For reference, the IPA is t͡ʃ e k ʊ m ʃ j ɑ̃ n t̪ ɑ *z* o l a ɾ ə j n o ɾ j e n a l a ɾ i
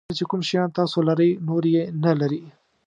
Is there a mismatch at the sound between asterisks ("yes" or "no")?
yes